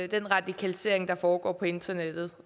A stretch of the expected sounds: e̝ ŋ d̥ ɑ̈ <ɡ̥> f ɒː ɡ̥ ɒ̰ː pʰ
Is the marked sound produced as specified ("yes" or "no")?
no